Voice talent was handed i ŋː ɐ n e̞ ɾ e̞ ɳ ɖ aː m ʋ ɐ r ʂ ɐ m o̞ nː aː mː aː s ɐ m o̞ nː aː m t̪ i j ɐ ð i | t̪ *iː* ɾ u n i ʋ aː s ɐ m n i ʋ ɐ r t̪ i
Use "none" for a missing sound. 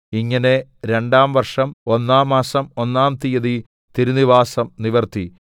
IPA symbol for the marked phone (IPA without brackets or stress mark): i